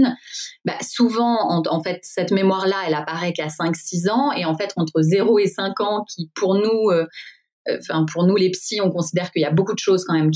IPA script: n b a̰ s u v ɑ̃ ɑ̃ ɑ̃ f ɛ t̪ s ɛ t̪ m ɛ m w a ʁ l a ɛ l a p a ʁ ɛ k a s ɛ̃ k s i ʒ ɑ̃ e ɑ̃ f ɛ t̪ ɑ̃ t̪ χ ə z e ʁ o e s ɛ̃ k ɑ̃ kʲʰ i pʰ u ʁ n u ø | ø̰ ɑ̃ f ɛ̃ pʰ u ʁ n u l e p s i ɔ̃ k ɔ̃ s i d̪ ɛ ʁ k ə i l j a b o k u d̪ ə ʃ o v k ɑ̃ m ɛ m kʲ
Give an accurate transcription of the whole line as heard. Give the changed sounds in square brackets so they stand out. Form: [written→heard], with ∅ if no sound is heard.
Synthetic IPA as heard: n b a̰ s u v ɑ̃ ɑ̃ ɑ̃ f ɛ t̪ s ɛ t̪ m [ɛ→e] m w a ʁ l a ɛ l a p a ʁ ɛ k a s ɛ̃ k s i [ʒ→z] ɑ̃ e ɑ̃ f ɛ t̪ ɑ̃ t̪ χ ə z e ʁ o e s ɛ̃ k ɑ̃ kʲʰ i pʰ u ʁ n u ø | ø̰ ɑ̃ f ɛ̃ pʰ u ʁ n u l e p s i ɔ̃ k ɔ̃ s i d̪ ɛ ʁ k ə i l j a b o k u d̪ ə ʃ o [v→z] k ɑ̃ m ɛ m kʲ